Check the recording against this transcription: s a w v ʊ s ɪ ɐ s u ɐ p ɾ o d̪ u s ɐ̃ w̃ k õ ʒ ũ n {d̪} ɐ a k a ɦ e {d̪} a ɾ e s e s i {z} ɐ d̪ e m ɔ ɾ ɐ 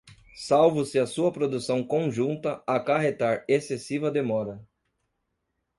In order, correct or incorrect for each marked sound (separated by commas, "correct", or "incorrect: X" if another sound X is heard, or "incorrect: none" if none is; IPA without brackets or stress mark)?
incorrect: t̪, incorrect: t̪, incorrect: v